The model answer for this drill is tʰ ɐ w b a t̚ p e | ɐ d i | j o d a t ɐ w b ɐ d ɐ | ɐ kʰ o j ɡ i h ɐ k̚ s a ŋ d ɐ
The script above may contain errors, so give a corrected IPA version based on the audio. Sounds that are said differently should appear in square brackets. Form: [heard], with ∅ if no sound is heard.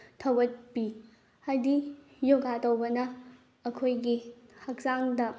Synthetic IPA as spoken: tʰ ɐ w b [ɐ] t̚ p [i] | ɐ d i | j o [ɡ] a t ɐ w b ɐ [n] ɐ | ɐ kʰ o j ɡ i h ɐ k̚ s a ŋ d ɐ